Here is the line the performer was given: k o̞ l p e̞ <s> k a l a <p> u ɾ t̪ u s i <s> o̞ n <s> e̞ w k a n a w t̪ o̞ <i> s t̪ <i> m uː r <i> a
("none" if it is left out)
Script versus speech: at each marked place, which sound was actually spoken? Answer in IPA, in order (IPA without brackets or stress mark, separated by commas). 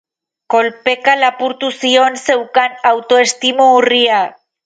none, p, none, s, e, i, i